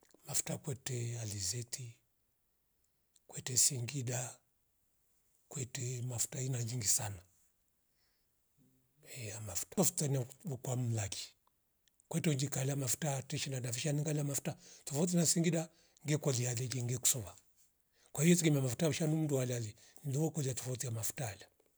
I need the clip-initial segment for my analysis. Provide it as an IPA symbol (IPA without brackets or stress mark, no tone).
m